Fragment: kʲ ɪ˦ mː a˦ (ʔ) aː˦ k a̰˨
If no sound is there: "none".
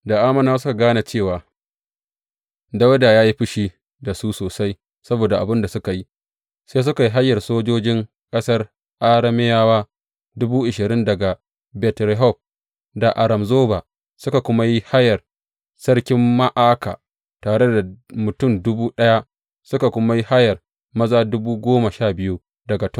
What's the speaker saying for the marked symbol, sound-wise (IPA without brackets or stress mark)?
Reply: ʔ